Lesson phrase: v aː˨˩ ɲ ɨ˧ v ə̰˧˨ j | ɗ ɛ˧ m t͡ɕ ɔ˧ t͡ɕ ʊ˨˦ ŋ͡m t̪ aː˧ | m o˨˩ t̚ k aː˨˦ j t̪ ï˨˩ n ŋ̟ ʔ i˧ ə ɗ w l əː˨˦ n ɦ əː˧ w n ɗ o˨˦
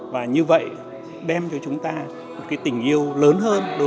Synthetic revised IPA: v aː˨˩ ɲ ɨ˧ v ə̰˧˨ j | ɗ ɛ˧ m t͡ɕ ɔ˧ t͡ɕ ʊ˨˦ ŋ͡m t̪ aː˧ | m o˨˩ t̚ k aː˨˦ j t̪ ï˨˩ ŋ̟ ʔ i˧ ə w l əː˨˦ n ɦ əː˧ n ɗ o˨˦